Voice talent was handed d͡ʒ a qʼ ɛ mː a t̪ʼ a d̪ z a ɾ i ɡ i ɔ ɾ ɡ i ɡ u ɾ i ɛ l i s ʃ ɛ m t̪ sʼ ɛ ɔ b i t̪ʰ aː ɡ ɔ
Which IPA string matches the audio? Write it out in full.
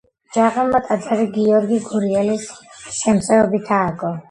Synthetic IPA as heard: d͡ʒ a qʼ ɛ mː a t̪ʼ a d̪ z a ɾ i ɡ i ɔ ɾ ɡ i ɡ u ɾ i ɛ l i s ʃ ɛ m t̪ sʼ ɛ ɔ b i t̪ʰ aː ɡ ɔ

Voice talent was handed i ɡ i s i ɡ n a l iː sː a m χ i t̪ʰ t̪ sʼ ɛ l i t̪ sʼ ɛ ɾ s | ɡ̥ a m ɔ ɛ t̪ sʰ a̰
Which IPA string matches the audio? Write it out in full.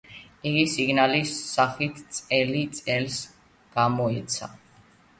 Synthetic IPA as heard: i ɡ i s i ɡ n a l i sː a χ i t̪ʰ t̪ sʼ ɛ l i t̪ sʼ ɛ l s | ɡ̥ a m ɔ ɛ t̪ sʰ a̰

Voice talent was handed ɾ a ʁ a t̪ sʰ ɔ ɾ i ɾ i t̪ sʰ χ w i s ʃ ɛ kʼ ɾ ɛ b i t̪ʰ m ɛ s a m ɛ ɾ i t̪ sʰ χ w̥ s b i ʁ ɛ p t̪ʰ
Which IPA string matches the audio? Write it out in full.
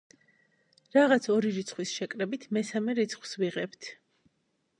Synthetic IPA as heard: ɾ a ʁ a t̪ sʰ ɔ ɾ i ɾ i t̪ sʰ χ w i s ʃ ɛ kʼ ɾ ɛ b i t̪ʰ m ɛ s a m ɛ ɾ i t̪ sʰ χ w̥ s v i ʁ ɛ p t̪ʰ

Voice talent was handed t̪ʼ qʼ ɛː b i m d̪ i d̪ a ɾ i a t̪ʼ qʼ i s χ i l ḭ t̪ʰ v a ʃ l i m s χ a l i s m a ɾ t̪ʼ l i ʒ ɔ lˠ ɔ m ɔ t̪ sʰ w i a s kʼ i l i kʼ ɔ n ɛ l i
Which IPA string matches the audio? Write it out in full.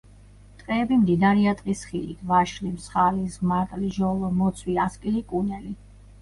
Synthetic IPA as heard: t̪ʼ qʼ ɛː b i m d̪ i d̪ a ɾ i a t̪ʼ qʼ i s χ i l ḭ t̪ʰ v a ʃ l i m s χ a l i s m a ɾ t̪ʼ l i ʒ ɔ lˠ ɔ m ɔ t̪ sʰ w i a s kʼ i l i kʼ u n ɛ l i

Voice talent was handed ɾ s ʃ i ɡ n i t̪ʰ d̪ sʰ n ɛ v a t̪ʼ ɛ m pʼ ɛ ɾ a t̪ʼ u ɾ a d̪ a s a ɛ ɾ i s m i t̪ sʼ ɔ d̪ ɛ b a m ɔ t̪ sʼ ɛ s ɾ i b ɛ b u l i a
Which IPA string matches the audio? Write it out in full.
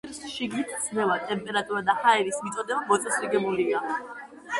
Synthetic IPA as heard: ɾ s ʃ i ɡ n i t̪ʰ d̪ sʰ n ɛ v a t̪ʼ ɛ m pʼ ɛ ɾ a t̪ʼ u ɾ a d̪ a h a ɛ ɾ i s m i t̪ sʼ ɔ d̪ ɛ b a m ɔ t̪ sʼ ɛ s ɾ i ɡ ɛ b u l i a

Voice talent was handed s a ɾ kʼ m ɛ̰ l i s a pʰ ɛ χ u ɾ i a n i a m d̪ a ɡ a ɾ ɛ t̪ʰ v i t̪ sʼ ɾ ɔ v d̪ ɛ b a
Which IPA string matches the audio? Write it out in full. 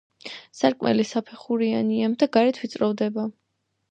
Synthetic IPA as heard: s a ɾ kʼ m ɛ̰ l i s a pʰ ɛ χ u ɾ i a n i a m d̪ a ɡ a ɾ ɛ t̪ʰ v i t̪ sʼ ɾ ɔ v d̪ ɛ b a

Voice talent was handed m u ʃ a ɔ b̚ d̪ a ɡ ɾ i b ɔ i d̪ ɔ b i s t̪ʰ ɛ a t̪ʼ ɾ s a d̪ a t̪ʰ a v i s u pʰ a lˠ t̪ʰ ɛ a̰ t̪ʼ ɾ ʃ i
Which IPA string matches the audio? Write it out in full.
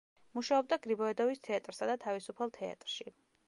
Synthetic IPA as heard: m u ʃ a ɔ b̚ d̪ a ɡ ɾ i b ɔ ɛ d̪ ɔ v i s t̪ʰ ɛ a t̪ʼ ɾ s a d̪ a t̪ʰ a v i s u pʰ a lˠ t̪ʰ ɛ a̰ t̪ʼ ɾ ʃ i

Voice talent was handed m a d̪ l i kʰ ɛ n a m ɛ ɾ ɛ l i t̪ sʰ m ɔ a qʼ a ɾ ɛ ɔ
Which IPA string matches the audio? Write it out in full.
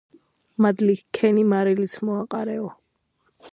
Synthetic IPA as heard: m a d̪ l i kʰ ɛ n i m a ɾ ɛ l i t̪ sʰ m ɔ a qʼ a ɾ ɛ ɔ

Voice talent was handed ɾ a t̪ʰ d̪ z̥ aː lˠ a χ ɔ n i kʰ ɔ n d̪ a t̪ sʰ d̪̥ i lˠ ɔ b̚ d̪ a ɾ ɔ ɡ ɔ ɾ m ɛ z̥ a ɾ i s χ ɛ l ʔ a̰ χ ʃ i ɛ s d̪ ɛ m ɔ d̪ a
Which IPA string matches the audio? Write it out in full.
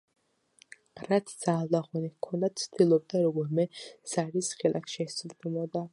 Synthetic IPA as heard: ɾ a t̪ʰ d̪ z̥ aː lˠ a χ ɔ n i kʰ ɔ n d̪ a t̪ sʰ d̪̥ i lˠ ɔ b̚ d̪ a ɾ ɔ ɡ ɔ ɾ m ɛ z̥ a ɾ i s χ ɛ l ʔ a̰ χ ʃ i ɛ s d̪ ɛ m ɔ d̪ a

